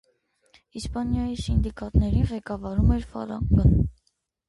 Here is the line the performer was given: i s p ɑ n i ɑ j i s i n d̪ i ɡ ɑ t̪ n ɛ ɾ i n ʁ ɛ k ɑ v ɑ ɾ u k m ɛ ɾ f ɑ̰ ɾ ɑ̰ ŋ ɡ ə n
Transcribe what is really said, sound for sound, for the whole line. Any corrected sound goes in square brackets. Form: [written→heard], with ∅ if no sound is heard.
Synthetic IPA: i s p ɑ n [i→j] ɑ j i s i n d̪ i [ɡ→k] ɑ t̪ n ɛ ɾ i n ʁ ɛ k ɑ v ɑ ɾ u [k→∅] m ɛ ɾ f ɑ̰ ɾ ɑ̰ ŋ ɡ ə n

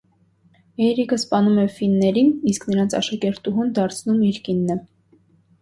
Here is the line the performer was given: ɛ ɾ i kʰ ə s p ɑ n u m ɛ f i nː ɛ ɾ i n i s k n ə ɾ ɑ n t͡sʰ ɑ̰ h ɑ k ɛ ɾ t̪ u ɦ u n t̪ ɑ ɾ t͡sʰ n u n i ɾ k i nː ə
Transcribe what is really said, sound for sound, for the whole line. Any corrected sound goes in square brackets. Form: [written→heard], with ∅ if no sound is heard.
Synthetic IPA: ɛ ɾ i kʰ ə s p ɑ n u m ɛ f i nː ɛ ɾ i n i s k n ə ɾ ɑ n t͡sʰ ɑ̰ [h→ʃ] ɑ k ɛ ɾ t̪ u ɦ u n [t̪→d̪] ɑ ɾ t͡sʰ n u [n→m] i ɾ k i nː ə

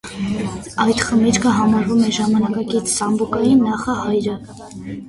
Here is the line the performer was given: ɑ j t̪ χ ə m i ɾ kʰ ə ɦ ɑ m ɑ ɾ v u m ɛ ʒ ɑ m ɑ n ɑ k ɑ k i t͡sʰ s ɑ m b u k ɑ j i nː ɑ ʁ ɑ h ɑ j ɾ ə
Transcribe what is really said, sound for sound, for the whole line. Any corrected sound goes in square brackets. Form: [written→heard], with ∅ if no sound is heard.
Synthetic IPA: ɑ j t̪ χ ə m i ɾ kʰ ə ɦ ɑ m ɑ ɾ v u m ɛ ʒ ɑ m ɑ n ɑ k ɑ k i t͡sʰ s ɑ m b u k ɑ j i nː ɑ [ʁ→χ] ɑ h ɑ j ɾ ə

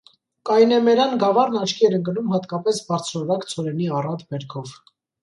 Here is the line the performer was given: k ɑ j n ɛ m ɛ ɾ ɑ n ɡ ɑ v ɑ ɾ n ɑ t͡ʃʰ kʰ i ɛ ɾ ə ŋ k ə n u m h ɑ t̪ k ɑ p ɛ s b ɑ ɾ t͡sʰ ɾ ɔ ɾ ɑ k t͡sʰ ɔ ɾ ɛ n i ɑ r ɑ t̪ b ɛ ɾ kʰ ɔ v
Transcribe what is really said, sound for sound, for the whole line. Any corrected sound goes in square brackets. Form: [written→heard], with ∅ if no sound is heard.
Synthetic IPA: k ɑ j n ɛ m ɛ ɾ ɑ n ɡ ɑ v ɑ ɾ n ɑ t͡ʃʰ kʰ i ɛ ɾ ə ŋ k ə n u m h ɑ t̪ k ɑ p ɛ s b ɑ ɾ t͡sʰ ɾ ɔ ɾ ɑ k t͡sʰ ɔ ɾ ɛ n i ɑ r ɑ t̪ b ɛ ɾ kʰ ɔ v

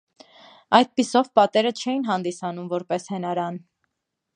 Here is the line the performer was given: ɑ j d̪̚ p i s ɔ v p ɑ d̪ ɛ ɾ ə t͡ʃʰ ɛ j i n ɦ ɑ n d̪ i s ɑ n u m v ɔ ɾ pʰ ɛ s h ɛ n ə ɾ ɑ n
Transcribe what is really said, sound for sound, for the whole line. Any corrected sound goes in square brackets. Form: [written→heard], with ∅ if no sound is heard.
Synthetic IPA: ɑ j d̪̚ p i s ɔ v p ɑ [d̪→t̪] ɛ ɾ ə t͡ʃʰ ɛ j i n ɦ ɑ n d̪ i s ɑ n u m v ɔ ɾ [pʰ→p] ɛ s h ɛ n [ə→ɑ] ɾ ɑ n

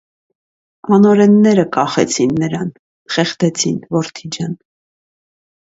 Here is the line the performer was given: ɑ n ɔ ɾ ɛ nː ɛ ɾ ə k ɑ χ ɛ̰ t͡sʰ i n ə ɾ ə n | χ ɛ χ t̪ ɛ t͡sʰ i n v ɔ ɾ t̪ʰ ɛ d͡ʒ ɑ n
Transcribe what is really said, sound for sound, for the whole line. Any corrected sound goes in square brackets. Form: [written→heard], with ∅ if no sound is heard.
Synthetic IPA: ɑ n ɔ ɾ ɛ nː ɛ ɾ ə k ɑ χ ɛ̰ t͡sʰ i [n→nː] ə ɾ [ə→ɑ] n | χ ɛ χ t̪ ɛ t͡sʰ i n v ɔ ɾ t̪ʰ [ɛ→i] d͡ʒ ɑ n

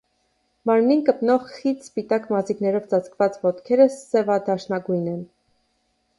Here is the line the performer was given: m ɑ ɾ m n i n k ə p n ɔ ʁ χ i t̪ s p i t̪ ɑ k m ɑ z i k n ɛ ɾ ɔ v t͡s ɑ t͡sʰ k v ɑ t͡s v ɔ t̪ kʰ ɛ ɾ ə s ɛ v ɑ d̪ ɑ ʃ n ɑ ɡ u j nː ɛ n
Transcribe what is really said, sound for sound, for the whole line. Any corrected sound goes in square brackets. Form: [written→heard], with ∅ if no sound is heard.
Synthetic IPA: m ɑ ɾ m n i n k ə p n ɔ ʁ χ i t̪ s p i t̪ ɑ k m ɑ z i k n ɛ ɾ ɔ v t͡s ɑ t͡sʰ k v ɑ t͡s v ɔ t̪ kʰ ɛ ɾ ə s ɛ v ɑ d̪ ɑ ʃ n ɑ ɡ u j [nː→n] ɛ n

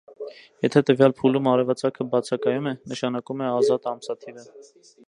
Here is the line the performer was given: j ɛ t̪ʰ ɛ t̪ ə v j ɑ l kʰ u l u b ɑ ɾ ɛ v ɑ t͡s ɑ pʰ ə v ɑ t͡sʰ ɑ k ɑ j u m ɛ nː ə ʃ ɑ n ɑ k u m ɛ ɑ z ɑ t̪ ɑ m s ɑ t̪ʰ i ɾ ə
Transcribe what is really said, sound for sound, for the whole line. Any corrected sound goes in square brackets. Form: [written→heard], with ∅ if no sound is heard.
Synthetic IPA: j ɛ t̪ʰ ɛ t̪ ə v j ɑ l [kʰ→pʰ] u l u [b→m] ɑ ɾ ɛ v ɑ t͡s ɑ [pʰ→kʰ] ə [v→b] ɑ t͡sʰ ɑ k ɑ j u m ɛ [nː→n] ə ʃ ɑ n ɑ k u m ɛ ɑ z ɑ t̪ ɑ m s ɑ t̪ʰ i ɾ ə

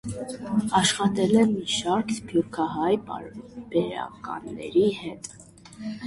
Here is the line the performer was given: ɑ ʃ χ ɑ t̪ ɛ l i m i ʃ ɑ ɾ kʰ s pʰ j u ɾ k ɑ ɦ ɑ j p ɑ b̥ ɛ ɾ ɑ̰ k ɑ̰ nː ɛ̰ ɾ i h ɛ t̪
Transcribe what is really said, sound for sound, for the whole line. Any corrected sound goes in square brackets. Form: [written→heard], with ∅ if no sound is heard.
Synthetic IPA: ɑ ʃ χ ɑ t̪ ɛ l [i→ɛ] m i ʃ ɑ ɾ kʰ s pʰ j u ɾ [k→kʰ] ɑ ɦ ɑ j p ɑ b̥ ɛ ɾ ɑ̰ k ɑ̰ nː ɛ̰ ɾ i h ɛ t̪

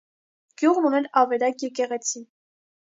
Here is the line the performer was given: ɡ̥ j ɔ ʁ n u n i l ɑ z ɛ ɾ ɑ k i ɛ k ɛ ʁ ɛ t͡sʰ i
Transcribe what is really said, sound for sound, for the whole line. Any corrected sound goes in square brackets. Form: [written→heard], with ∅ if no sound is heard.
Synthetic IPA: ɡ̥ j [ɔ→u] ʁ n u n [i→ɛ] l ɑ [z→v] ɛ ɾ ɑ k [i→j] ɛ k ɛ ʁ ɛ t͡sʰ i

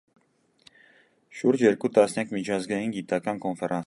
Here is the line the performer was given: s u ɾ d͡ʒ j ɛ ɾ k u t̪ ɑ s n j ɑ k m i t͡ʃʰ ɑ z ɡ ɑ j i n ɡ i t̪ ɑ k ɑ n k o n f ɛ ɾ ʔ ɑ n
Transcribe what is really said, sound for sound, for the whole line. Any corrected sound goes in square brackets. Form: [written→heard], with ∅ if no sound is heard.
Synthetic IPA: [s→ʃ] u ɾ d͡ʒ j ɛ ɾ k u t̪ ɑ s n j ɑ k m i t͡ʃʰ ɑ z ɡ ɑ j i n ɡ i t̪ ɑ k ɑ n k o n f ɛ ɾ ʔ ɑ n

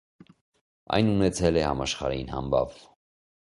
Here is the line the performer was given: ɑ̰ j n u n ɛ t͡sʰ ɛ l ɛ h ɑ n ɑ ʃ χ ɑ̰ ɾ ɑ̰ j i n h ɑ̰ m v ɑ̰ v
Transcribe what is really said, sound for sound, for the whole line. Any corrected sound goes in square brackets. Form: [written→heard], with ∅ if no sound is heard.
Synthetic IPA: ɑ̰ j n u n ɛ t͡sʰ ɛ l ɛ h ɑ [n→m] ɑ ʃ χ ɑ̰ ɾ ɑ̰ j i n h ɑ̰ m [v→b] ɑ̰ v

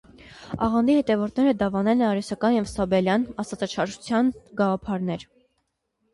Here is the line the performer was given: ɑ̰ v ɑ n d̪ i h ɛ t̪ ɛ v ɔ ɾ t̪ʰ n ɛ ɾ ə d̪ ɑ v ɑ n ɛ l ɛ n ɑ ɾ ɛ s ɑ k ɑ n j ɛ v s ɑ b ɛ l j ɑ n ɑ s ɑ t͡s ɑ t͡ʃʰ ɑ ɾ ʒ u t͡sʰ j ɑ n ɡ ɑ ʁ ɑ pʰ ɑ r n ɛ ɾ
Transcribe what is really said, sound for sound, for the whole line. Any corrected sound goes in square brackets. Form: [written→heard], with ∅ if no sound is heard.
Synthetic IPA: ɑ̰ [v→ʁ] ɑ n d̪ i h ɛ t̪ ɛ v ɔ ɾ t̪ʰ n ɛ ɾ ə d̪ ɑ v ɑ n ɛ l ɛ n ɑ ɾ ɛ s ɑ k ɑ n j ɛ v s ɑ b ɛ l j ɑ n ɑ s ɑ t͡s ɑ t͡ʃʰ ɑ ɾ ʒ u t͡sʰ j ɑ n ɡ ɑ ʁ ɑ pʰ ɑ [r→ɾ] n ɛ ɾ

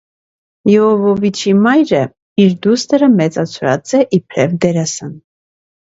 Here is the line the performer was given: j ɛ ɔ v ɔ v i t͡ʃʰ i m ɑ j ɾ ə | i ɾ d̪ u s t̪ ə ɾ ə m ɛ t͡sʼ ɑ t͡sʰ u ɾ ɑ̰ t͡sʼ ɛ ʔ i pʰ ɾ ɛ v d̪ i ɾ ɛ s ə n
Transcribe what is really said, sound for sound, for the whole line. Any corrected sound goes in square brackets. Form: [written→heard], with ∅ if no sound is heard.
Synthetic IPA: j ɛ ɔ v ɔ v i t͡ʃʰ i m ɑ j ɾ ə | i ɾ d̪ u s t̪ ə ɾ ə m ɛ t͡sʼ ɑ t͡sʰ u ɾ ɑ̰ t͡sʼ ɛ ʔ i pʰ ɾ ɛ v d̪ [i→ɛ] ɾ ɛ s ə n

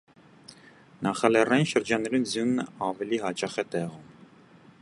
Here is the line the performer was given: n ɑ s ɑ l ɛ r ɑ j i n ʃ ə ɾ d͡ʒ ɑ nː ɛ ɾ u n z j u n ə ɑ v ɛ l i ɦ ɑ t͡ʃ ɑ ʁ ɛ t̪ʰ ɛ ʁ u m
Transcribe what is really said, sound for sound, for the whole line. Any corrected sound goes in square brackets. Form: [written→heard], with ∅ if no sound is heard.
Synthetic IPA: n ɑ [s→χ] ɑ l ɛ r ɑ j i n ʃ ə ɾ d͡ʒ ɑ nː ɛ ɾ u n z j u n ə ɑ v ɛ l i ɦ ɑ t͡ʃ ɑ [ʁ→χ] ɛ [t̪ʰ→t̪] ɛ ʁ u m

